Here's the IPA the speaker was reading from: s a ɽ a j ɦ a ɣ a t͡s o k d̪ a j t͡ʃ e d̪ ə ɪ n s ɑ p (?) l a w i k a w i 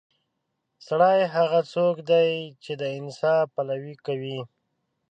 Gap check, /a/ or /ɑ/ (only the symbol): a